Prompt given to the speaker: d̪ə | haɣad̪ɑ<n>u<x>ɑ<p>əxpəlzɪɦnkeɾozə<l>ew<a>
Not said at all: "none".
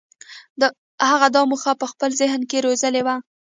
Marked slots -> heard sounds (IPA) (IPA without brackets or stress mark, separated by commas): m, x, p, l, a